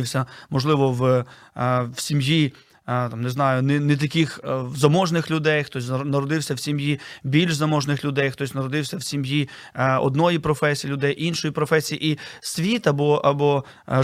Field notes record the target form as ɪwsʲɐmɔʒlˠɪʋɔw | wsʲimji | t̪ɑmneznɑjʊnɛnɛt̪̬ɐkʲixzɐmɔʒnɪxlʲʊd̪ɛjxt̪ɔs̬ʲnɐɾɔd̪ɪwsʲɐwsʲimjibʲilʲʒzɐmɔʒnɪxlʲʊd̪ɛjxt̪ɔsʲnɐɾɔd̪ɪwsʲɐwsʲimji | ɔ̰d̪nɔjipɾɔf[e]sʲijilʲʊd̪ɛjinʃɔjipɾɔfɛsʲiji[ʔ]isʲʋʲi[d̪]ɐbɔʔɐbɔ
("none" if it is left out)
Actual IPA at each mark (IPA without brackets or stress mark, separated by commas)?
ɛ, ʔ, t̪